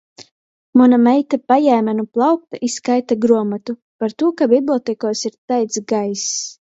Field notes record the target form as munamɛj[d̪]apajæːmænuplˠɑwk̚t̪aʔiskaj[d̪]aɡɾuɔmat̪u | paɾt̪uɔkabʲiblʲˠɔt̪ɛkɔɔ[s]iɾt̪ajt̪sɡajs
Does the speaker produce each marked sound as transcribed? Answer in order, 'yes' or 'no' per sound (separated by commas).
no, no, yes